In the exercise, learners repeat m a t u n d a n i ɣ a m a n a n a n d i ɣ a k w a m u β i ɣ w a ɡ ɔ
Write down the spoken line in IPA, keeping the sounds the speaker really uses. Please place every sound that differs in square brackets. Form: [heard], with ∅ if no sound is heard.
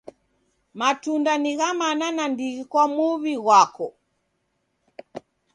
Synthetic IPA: m a t u n d a n i ɣ a m a n a n a n d i ɣ [i] k w a m u β i ɣ w a [k] ɔ

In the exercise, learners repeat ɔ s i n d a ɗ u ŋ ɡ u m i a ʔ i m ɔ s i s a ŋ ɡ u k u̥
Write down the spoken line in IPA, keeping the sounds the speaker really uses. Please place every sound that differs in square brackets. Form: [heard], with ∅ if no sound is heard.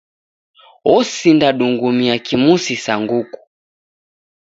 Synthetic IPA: ɔ s i n d a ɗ u ŋ ɡ u m i a [k] i m [u] s i s a ŋ ɡ u k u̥

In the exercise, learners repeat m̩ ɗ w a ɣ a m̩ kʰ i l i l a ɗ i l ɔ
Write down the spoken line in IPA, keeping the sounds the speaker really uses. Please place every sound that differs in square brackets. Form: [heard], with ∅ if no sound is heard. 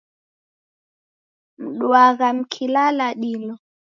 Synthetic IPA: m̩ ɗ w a ɣ a m̩ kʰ i l [a] l a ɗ i l ɔ

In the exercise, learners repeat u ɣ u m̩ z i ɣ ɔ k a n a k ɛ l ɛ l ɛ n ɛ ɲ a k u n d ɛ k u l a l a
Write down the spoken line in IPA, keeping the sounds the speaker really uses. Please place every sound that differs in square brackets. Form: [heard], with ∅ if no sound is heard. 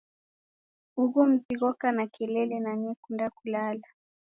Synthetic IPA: u ɣ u m̩ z i ɣ ɔ k a n a k ɛ l ɛ l ɛ n [a] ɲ [ɛ] k u n d [a] k u l a l a

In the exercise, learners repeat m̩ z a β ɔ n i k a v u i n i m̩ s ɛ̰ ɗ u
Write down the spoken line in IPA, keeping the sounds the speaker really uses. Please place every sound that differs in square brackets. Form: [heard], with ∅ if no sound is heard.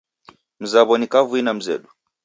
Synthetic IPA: m̩ z a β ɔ n i k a v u i n [a] m̩ [z] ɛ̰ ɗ u

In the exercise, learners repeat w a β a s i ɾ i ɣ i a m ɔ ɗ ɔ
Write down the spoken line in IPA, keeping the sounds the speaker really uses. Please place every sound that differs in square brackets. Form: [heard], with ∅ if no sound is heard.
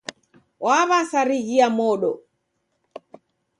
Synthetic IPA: w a β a s [a] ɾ i ɣ i a m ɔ ɗ ɔ

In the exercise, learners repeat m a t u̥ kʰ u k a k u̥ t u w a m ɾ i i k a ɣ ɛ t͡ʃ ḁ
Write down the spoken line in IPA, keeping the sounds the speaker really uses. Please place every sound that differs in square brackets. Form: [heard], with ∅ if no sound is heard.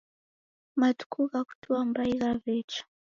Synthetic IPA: m a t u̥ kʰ u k a k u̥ t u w a m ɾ [a] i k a [v] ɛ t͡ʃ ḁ

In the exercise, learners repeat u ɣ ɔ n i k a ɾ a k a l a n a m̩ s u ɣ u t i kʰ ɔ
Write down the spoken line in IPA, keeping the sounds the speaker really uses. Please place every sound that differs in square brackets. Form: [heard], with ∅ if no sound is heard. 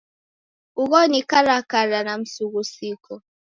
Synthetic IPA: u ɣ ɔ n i k a ɾ a k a [ɾ] a n a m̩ s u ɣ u [s] i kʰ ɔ

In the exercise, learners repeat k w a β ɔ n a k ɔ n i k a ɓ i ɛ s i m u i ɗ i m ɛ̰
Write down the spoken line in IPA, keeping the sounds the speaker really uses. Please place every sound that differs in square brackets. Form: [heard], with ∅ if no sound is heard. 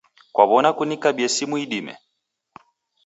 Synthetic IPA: k w a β ɔ n a k [u] n i k a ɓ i ɛ s i m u i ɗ i m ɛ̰

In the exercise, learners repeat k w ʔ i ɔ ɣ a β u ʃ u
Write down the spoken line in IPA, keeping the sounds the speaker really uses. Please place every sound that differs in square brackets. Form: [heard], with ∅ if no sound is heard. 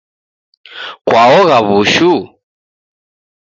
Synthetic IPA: k w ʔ [a] ɔ ɣ a β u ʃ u

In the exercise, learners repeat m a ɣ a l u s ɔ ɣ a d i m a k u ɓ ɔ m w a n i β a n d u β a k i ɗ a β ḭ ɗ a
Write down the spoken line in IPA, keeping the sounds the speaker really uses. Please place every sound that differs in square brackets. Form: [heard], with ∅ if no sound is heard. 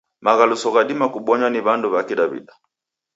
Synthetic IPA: m a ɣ a l u s ɔ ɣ a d i m a k u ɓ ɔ [ɲ] w a n i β a n d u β a k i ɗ a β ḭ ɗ a

